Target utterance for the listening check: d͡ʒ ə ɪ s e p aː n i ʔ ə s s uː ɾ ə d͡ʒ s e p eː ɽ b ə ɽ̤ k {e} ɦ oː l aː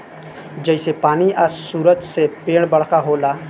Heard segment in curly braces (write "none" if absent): a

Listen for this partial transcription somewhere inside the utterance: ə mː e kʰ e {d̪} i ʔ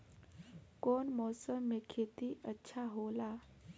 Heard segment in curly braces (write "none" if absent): t̪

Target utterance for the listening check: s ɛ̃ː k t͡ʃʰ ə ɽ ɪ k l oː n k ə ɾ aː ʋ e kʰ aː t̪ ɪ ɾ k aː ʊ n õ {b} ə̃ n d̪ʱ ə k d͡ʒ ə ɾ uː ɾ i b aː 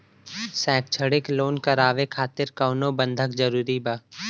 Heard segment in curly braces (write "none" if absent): b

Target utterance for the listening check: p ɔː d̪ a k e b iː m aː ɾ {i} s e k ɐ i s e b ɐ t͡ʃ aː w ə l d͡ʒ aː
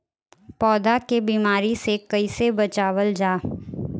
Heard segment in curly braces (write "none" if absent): i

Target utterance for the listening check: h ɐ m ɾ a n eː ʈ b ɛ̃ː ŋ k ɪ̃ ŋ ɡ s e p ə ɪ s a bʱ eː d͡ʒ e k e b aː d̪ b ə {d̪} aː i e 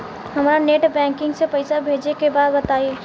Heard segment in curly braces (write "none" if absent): t̪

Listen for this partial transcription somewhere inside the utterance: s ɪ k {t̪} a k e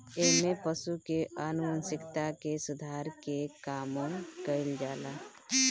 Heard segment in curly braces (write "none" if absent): t̪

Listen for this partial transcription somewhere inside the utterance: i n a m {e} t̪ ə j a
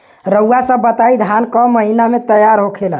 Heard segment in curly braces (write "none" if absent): e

